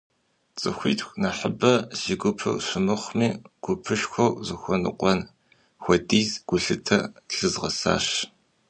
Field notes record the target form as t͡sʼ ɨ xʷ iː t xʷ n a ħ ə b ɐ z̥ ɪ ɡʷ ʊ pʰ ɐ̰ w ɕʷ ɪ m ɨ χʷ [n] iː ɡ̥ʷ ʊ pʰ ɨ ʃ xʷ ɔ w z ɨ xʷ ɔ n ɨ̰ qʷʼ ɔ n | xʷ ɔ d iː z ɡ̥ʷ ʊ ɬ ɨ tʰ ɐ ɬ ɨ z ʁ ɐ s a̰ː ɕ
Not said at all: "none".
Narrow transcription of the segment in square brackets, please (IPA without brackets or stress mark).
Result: m